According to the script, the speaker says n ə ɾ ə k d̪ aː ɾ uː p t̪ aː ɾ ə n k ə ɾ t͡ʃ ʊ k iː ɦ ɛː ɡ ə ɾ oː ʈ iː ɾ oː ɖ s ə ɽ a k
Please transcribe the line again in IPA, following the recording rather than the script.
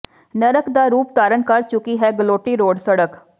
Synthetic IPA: n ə ɾ ə k d̪ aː ɾ uː p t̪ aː ɾ ə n k ə ɾ t͡ʃ ʊ k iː ɦ ɛː ɡ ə l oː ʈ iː ɾ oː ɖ s ə ɽ ə k